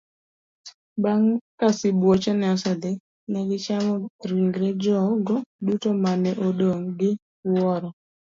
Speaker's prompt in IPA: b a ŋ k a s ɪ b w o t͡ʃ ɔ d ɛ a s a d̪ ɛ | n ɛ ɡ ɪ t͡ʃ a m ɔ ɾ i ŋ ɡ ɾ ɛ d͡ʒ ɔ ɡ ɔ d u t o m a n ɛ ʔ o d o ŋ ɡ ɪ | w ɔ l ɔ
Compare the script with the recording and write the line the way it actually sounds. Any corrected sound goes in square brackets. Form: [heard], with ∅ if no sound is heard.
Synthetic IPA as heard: b a ŋ k a s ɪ b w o t͡ʃ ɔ [n] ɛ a s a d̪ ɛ | n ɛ ɡ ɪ t͡ʃ a m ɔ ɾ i ŋ ɡ ɾ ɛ d͡ʒ ɔ ɡ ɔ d u t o m a n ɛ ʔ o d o ŋ ɡ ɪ | w ɔ [ɾ] ɔ